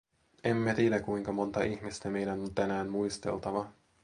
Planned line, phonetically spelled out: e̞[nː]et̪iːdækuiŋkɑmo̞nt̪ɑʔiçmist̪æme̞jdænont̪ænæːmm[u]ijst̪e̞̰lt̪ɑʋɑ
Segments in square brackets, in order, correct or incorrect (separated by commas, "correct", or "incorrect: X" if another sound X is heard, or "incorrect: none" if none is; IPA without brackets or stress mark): incorrect: mː, correct